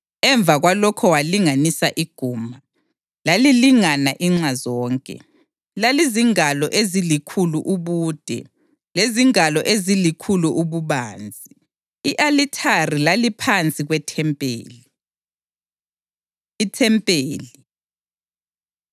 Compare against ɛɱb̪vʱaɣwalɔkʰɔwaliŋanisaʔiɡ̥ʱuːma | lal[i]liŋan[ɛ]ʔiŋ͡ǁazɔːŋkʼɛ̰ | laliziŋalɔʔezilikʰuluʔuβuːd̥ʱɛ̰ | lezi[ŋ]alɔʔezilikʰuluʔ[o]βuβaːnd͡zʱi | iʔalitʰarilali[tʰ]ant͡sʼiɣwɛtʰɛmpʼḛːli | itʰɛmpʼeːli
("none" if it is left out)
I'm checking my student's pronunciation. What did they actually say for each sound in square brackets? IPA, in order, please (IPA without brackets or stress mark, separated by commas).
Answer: i, a, ŋ, u, pʰ